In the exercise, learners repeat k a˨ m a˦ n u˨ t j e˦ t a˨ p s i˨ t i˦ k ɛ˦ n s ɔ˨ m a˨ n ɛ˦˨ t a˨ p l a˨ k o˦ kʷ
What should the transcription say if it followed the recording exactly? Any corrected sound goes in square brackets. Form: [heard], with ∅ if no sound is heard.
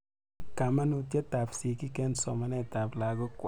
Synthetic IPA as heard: k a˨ m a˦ n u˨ t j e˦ t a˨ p s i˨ [k] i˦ k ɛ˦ n s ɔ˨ m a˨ n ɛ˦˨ t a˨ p l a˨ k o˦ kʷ